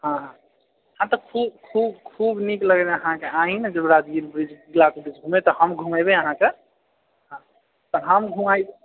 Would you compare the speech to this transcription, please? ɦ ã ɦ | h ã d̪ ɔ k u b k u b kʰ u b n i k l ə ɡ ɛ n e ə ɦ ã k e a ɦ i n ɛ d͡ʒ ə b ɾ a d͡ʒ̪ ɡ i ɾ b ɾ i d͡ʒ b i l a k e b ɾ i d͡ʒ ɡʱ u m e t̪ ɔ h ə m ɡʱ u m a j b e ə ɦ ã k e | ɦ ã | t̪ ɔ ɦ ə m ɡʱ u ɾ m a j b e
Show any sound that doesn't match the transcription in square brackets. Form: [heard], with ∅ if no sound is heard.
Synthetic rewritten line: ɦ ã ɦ | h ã [t̪] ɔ [kʰ] u b [kʰ] u b kʰ u b n i k l ə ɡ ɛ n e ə ɦ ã k e a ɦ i n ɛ d͡ʒ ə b ɾ a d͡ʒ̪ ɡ i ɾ b ɾ i d͡ʒ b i l a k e b ɾ i d͡ʒ ɡʱ u m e t̪ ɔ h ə m ɡʱ u m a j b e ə ɦ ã k e | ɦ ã | t̪ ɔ ɦ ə m ɡʱ u [∅] m a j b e

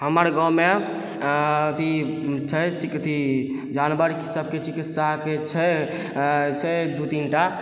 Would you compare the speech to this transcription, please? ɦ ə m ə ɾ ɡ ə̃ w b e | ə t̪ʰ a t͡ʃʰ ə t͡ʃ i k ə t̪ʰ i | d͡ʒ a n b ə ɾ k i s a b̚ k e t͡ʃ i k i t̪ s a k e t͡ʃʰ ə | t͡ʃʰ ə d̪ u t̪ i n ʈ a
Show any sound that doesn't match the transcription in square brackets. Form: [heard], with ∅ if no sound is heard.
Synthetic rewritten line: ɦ ə m ə ɾ ɡ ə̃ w [m] e | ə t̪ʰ [i] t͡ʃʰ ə t͡ʃ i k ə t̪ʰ i | d͡ʒ a n b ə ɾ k i s [ə] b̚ k e t͡ʃ i k i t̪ s a k e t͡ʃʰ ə | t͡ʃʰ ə d̪ u t̪ i n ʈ a

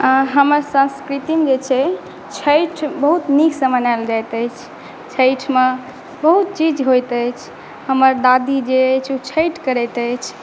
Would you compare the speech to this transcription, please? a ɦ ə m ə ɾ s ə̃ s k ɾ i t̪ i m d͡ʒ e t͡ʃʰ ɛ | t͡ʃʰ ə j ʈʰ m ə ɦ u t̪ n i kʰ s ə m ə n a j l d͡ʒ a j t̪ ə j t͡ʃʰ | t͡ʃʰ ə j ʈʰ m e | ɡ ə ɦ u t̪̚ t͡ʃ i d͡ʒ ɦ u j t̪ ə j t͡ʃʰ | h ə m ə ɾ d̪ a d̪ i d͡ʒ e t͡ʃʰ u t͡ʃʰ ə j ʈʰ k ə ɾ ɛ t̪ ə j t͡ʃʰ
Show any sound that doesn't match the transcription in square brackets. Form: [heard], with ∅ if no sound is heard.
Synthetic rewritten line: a ɦ ə m ə ɾ s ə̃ s k ɾ i t̪ i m d͡ʒ e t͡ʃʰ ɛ | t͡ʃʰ ə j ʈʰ [b] ə ɦ u t̪ n i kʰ s ə m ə n a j l d͡ʒ a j t̪ ə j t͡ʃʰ | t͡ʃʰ ə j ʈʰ m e | [b] ə ɦ u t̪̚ t͡ʃ i d͡ʒ ɦ [o] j t̪ ə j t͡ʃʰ | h ə m ə ɾ d̪ a d̪ i d͡ʒ e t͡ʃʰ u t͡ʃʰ ə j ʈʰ k ə ɾ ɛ t̪ ə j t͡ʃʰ

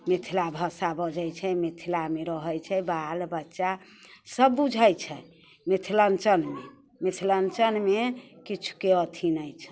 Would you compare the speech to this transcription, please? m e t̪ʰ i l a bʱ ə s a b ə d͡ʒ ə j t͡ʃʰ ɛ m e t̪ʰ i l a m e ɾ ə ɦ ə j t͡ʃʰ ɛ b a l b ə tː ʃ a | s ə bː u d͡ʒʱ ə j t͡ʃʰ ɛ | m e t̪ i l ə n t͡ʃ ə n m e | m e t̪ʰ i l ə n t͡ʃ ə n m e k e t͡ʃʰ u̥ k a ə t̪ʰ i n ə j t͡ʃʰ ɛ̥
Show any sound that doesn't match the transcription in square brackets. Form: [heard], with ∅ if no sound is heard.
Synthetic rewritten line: m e t̪ʰ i l a bʱ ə s a b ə d͡ʒ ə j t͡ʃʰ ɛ m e t̪ʰ i l a m e ɾ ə ɦ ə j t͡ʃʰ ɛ b a l b ə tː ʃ a | s ə bː u d͡ʒʱ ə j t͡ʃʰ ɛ | m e [t̪ʰ] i l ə n t͡ʃ ə n m e | m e t̪ʰ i l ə n t͡ʃ ə n m e k [i] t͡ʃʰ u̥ k [e] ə t̪ʰ i n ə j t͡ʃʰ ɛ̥

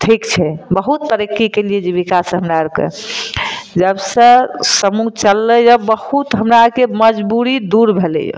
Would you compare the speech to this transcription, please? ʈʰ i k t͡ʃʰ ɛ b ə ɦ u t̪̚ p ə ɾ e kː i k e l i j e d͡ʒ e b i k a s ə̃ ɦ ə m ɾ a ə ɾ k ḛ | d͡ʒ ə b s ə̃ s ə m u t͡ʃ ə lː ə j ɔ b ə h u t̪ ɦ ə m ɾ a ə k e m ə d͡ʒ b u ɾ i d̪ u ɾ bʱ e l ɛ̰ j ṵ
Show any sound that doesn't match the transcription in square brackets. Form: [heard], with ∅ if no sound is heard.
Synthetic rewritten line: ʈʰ i k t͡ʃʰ ɛ b ə ɦ u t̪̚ p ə ɾ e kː i k e l i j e d͡ʒ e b i k a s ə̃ ɦ ə m ɾ a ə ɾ k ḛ | d͡ʒ ə b s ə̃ s ə m u t͡ʃ ə lː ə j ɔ b ə h u t̪ ɦ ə m ɾ a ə k e m ə d͡ʒ b u ɾ i d̪ u ɾ bʱ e l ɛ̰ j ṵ

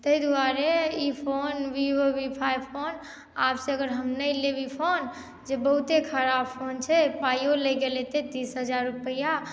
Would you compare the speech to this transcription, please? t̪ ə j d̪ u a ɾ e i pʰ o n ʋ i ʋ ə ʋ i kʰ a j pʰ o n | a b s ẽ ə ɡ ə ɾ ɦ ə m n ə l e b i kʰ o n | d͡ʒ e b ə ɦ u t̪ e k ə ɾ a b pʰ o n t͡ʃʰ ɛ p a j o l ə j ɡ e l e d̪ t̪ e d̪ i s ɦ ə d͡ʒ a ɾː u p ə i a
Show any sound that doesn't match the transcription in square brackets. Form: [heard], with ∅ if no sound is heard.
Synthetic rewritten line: t̪ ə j d̪ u a ɾ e i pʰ o n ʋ i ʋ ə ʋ i [pʰ] a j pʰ o n | a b s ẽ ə ɡ ə ɾ ɦ ə m n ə l e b i [pʰ] o n | d͡ʒ e b ə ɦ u t̪ e [kʰ] ə ɾ a b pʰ o n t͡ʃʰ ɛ p a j o l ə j ɡ e l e [∅] t̪ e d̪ i s ɦ ə d͡ʒ a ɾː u p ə [j] a

